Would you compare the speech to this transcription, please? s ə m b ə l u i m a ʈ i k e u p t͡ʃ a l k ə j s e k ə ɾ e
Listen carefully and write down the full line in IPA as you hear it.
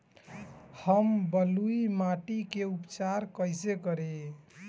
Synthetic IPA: h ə m b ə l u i m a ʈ i k e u p t͡ʃ a ɾ k ə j s e k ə ɾ e